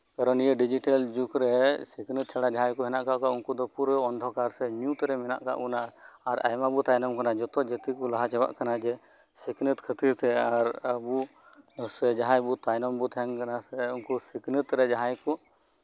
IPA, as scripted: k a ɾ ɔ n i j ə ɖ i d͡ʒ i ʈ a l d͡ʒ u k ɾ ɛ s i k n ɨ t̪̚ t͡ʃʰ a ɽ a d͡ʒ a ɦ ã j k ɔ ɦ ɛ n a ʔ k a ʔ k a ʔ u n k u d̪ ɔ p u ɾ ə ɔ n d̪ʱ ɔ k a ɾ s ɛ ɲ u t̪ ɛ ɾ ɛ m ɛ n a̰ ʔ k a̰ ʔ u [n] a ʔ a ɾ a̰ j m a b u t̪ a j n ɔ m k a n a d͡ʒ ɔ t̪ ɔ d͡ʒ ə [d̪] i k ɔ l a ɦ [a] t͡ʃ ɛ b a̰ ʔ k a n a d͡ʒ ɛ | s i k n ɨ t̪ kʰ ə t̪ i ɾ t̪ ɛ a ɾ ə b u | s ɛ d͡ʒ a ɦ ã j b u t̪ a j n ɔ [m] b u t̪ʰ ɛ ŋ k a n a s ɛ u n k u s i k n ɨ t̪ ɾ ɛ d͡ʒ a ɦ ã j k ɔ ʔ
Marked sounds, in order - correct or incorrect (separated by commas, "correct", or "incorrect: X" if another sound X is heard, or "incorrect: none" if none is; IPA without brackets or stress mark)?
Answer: correct, incorrect: t̪, correct, correct